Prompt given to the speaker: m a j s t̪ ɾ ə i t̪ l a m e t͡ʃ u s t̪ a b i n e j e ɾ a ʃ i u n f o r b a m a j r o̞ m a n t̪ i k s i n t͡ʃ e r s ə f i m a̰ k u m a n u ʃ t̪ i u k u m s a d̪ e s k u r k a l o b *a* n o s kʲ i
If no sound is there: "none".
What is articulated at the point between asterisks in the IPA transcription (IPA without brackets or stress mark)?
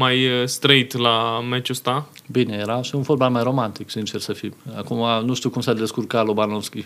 a